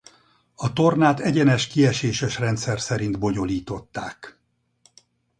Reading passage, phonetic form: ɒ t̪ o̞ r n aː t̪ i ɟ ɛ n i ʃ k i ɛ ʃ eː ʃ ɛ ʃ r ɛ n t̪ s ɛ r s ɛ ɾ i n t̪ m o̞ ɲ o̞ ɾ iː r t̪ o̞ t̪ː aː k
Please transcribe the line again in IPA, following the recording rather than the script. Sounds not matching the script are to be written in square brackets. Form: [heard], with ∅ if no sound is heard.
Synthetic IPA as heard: ɒ t̪ o̞ r n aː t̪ [ɛ] ɟ ɛ n [ɛ] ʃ k i ɛ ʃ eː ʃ ɛ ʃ r ɛ n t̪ s ɛ r s ɛ ɾ i n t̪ [b] o̞ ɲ o̞ [l] iː [∅] t̪ o̞ t̪ː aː k